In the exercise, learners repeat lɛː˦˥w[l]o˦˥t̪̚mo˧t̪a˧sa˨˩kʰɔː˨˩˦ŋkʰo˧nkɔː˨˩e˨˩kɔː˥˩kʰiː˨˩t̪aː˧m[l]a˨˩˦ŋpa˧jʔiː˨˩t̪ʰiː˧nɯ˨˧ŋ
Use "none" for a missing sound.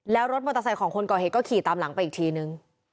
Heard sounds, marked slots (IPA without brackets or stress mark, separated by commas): ɾ, l